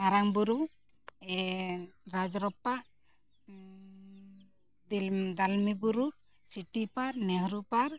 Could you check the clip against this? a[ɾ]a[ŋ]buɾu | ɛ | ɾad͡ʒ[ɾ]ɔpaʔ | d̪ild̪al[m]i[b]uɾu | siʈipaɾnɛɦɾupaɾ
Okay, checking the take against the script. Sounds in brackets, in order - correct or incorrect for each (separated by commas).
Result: correct, correct, correct, correct, correct